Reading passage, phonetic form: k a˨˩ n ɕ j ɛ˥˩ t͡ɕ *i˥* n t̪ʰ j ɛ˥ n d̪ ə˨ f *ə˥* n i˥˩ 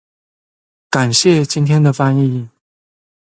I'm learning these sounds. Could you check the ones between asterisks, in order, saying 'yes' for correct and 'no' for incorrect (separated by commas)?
yes, no